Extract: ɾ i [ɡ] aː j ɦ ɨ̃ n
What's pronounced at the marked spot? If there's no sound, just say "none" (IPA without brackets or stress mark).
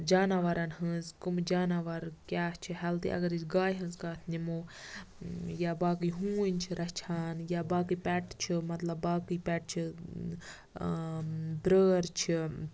ɡ